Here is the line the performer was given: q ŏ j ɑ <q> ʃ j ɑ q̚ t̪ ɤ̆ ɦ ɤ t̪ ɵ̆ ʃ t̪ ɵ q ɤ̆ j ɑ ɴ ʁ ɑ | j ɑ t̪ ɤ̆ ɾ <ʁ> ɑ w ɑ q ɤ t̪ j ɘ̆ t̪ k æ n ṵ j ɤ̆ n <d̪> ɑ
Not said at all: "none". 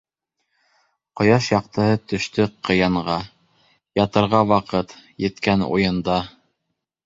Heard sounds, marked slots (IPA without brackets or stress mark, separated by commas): none, ʁ, d̪